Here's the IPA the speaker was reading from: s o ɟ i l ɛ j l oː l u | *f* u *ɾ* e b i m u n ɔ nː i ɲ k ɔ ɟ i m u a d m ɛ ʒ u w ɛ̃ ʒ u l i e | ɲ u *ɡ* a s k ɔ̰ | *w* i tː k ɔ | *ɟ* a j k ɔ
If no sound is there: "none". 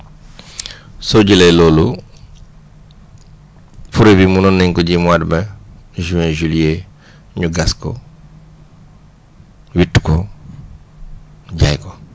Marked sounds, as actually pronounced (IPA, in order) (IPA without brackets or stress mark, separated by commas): f, ɾ, ɡ, w, ɟ